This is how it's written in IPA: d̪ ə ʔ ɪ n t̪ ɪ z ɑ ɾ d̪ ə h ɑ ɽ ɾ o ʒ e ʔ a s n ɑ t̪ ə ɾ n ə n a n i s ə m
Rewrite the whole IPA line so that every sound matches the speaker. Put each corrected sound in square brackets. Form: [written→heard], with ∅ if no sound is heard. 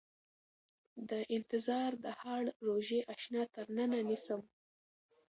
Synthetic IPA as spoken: d̪ ə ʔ ɪ n t̪ ɪ z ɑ ɾ d̪ ə h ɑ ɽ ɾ o ʒ e ʔ a [s→ʃ] n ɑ t̪ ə ɾ n ə n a n i s ə m

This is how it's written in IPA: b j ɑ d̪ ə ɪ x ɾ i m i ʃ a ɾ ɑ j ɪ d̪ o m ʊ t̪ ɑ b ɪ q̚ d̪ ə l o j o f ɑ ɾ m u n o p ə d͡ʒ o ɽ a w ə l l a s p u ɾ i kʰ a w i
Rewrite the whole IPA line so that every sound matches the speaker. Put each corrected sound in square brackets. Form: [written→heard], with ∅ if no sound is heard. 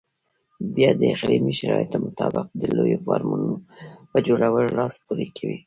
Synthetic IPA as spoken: b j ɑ d̪ ə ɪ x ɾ i m i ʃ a ɾ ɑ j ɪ [d̪→t̪] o m ʊ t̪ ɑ b ɪ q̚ d̪ ə l o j o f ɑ ɾ m u n o p ə d͡ʒ o ɽ a w ə l l [a→ɑ] s p u ɾ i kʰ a w i

